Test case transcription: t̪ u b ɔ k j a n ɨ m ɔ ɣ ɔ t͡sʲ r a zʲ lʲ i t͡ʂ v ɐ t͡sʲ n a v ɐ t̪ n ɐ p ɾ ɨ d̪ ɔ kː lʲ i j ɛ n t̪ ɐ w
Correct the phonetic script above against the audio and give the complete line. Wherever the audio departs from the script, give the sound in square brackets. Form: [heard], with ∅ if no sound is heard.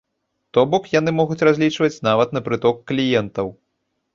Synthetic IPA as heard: t̪ [ɔ] b ɔ k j a n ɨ m ɔ ɣ [u] t͡sʲ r a zʲ lʲ i t͡ʂ v ɐ t͡sʲ n a v ɐ t̪ n ɐ p ɾ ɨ [t̪] ɔ kː lʲ i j ɛ n t̪ ɐ w